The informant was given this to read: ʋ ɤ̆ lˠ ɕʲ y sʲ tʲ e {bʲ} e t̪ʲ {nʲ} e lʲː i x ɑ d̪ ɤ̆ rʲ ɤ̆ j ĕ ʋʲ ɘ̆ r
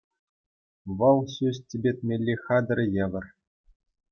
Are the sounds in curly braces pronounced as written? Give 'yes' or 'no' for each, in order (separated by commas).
yes, no